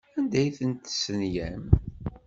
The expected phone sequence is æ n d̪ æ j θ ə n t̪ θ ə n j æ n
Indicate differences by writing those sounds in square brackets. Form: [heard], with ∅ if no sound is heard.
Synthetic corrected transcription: æ n d̪ æ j θ ə n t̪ [s] ə n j æ [m]